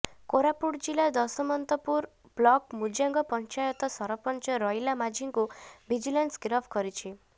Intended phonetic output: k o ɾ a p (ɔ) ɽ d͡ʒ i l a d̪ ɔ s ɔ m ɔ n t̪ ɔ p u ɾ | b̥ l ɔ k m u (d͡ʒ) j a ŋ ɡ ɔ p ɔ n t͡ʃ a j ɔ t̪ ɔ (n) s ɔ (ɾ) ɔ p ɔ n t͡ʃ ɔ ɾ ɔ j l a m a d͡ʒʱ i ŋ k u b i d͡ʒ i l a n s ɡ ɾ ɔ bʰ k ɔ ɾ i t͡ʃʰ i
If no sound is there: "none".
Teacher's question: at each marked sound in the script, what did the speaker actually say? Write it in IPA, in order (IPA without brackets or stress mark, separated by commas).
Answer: u, d͡ʒ, none, ɾ